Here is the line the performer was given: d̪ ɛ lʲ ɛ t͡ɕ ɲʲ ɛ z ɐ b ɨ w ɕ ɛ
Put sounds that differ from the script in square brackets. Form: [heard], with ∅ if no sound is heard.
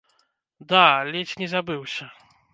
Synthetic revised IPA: d̪ [a] lʲ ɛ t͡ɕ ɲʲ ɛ z [a] b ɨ w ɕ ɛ

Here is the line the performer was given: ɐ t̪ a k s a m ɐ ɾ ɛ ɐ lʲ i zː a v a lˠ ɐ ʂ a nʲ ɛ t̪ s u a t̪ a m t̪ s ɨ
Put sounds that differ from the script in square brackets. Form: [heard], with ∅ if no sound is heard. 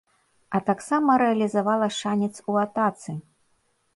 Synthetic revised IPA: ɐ t̪ a k s a m ɐ ɾ ɛ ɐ lʲ i [z] a v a lˠ ɐ ʂ a nʲ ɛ t̪ s u a t̪ a [∅] t̪ s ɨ

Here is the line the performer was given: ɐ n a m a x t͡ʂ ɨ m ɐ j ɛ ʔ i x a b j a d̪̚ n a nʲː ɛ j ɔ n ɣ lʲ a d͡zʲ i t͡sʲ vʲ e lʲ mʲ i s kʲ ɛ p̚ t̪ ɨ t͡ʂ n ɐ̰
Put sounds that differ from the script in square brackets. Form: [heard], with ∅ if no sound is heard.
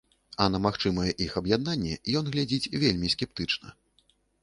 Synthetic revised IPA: ɐ n [ɐ] m a x t͡ʂ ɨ m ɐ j ɛ ʔ i x [ɐ] b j a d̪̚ n a nʲː ɛ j ɔ n ɣ lʲ a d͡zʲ i t͡sʲ vʲ e lʲ mʲ i s kʲ ɛ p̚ t̪ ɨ t͡ʂ n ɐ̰

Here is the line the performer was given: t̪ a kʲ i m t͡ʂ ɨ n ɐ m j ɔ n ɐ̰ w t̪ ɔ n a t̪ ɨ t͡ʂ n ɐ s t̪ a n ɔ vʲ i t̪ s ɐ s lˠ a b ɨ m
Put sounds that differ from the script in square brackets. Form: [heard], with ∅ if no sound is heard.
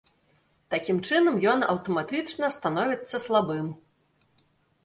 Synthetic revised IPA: t̪ a kʲ i m t͡ʂ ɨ n ɐ m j ɔ n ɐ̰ w t̪ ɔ [m] a t̪ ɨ t͡ʂ n ɐ s t̪ a n ɔ vʲ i t̪ [sː] ɐ s lˠ a b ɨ m

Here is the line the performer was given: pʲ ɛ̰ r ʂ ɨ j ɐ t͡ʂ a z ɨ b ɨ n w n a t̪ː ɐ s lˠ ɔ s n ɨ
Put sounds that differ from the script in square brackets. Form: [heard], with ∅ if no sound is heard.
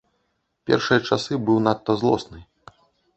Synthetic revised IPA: pʲ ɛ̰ r ʂ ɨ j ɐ t͡ʂ a [s] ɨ b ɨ [∅] w n a t̪ː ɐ [z] lˠ ɔ s n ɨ

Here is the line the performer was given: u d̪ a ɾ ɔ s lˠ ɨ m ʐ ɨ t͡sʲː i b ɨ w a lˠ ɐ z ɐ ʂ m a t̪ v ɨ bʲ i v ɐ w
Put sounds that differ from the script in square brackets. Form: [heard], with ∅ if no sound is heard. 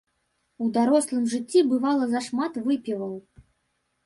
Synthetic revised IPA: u d̪ a ɾ ɔ s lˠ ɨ m ʐ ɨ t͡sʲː i b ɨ [v] a lˠ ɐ z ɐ ʂ m a t̪ v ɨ [pʲ] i v ɐ w

